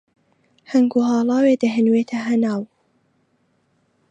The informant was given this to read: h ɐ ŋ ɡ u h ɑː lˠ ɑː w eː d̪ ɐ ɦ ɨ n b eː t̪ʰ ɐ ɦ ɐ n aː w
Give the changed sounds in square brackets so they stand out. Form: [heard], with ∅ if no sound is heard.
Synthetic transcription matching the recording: h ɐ ŋ ɡ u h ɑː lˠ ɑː w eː d̪ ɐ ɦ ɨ n [w] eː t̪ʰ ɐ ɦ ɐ n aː w